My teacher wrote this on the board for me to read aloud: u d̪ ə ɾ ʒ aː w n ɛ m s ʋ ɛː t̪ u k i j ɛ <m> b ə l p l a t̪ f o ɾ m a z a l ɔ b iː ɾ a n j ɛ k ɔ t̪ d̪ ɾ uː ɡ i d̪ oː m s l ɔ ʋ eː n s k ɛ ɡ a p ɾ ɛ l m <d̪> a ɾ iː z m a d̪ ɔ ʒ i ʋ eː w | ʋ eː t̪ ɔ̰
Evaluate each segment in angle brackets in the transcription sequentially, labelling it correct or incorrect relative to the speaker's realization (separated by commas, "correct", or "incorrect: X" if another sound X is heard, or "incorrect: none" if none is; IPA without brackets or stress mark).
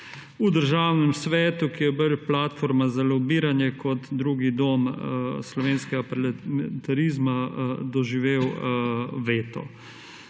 incorrect: none, incorrect: t̪